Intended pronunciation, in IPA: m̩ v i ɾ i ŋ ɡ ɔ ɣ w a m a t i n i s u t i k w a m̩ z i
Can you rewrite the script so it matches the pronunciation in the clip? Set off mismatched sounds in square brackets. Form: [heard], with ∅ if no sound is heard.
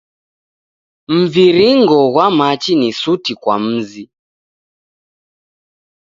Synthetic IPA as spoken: m̩ v i ɾ i ŋ ɡ ɔ ɣ w a m a [t͡ʃ] i n i s u t i k w a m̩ z i